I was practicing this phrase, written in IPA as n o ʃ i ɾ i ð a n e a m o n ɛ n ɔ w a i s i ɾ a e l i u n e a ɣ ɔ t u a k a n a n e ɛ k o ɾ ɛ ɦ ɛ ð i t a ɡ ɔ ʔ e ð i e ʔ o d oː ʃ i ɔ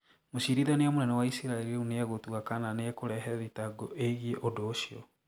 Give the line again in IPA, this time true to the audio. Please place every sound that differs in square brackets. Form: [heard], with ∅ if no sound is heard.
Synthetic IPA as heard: [m] o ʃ i ɾ i ð a n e a m o n ɛ n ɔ w a i s i ɾ a e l i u n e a ɣ [o] t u a k a n a n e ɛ k o ɾ ɛ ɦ ɛ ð i t a ɡ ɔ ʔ e [ɣ] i e ʔ o d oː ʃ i ɔ